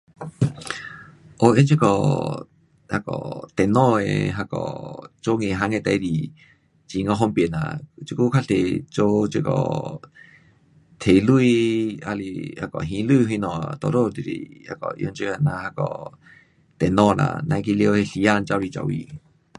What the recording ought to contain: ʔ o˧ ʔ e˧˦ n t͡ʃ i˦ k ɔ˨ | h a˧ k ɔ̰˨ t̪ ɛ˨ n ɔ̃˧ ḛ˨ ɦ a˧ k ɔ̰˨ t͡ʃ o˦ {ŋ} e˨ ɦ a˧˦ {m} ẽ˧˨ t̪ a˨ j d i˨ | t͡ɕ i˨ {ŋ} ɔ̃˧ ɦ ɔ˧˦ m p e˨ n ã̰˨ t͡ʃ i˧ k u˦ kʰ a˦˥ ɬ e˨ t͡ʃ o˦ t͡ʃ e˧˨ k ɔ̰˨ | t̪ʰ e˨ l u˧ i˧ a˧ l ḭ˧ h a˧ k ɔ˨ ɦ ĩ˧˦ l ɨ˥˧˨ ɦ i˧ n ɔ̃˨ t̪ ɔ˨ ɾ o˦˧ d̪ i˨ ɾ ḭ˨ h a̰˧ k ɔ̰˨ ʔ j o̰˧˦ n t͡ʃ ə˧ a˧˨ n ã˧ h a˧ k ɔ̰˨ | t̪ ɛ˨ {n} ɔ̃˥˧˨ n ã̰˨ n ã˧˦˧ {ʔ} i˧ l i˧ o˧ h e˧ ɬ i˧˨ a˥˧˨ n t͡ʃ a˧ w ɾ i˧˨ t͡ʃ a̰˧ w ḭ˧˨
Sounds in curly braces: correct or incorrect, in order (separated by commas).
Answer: correct, incorrect, correct, correct, incorrect